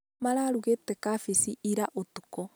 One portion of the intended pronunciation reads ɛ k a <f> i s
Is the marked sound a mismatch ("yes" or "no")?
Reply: no